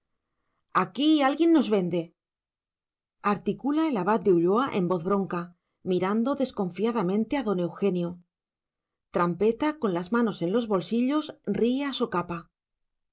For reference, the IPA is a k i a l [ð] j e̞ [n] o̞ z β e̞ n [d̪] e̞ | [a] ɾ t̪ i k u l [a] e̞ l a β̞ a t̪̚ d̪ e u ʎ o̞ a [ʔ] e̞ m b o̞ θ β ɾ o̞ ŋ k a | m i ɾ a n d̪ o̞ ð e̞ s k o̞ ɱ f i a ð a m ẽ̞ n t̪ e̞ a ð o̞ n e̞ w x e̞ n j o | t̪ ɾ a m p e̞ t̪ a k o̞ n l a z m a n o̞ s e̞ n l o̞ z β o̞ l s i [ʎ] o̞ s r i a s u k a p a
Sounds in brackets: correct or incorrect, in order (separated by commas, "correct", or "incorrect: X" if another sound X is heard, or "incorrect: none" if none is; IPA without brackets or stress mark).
incorrect: ɣ, incorrect: nː, correct, correct, correct, correct, correct